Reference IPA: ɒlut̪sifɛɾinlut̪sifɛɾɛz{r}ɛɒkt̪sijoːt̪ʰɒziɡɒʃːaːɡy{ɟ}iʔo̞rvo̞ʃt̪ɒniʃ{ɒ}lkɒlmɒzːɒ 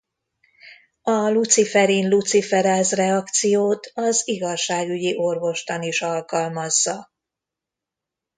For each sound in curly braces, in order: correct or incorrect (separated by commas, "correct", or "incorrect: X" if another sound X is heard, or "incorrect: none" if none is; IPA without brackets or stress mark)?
correct, correct, correct